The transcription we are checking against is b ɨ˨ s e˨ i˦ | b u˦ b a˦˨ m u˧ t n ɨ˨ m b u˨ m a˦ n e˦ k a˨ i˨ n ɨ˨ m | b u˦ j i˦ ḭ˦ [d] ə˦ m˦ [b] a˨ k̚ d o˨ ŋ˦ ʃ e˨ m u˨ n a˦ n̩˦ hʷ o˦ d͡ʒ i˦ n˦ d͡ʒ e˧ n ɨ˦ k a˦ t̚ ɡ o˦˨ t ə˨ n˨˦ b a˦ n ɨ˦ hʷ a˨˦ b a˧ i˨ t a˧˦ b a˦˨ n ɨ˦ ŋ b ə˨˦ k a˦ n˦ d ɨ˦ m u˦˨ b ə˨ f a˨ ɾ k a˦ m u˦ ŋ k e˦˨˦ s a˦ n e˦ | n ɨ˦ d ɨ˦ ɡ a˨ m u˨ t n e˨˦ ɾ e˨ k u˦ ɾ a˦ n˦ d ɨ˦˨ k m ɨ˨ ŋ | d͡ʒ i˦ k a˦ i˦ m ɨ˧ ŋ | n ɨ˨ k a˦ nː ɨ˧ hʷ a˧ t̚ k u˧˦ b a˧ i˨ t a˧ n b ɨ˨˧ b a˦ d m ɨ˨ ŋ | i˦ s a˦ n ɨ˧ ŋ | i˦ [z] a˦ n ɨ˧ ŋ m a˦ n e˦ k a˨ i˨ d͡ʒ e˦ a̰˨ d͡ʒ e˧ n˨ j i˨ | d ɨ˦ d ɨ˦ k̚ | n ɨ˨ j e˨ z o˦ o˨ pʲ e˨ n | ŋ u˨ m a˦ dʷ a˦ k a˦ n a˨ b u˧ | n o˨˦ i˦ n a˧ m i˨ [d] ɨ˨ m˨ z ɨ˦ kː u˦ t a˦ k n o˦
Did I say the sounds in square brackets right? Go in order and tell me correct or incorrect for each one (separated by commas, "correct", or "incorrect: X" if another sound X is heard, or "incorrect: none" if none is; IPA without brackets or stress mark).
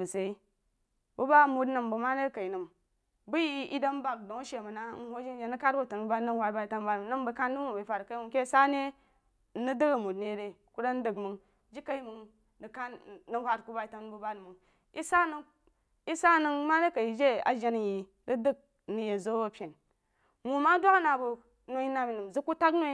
correct, correct, incorrect: s, incorrect: n